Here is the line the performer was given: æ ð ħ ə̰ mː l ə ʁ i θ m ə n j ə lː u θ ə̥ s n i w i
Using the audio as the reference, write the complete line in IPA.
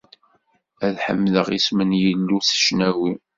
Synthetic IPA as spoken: æ ð ħ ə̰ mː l ə ʁ i s m ə n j ə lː u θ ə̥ ʃ n æ w i